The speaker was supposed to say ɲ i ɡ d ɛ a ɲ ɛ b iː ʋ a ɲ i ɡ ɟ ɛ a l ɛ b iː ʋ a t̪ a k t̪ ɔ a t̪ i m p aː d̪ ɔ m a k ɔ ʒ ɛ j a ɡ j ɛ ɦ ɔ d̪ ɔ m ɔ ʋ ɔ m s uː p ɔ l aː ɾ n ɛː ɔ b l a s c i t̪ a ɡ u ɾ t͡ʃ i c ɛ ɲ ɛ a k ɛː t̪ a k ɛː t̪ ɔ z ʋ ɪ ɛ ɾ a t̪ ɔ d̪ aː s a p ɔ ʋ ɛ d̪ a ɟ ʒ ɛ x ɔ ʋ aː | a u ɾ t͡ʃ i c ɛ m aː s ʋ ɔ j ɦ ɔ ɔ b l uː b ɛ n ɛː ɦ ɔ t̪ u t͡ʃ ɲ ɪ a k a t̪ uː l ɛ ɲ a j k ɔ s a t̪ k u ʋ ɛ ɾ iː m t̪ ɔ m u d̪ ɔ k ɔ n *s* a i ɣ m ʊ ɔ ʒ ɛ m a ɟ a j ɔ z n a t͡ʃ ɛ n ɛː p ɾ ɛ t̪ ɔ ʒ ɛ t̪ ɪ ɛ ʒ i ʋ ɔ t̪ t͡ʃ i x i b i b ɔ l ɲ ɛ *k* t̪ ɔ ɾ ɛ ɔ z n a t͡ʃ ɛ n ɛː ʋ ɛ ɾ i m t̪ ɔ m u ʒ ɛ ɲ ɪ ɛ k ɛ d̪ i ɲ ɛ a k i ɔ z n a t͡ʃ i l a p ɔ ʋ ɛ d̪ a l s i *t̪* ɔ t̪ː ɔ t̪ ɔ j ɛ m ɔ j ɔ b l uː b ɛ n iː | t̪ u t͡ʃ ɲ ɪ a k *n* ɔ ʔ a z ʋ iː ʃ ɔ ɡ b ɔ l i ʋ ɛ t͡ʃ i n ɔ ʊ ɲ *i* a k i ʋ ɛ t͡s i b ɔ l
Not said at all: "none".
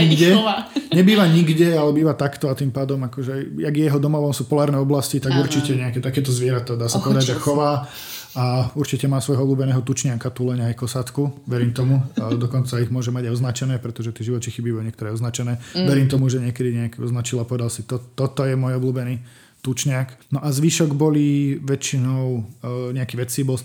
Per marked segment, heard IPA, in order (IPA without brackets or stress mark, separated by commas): t͡s, k, t̪, n, ɛ